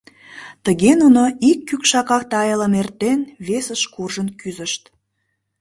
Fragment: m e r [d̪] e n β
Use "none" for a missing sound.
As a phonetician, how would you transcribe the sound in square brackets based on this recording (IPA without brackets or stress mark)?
t̪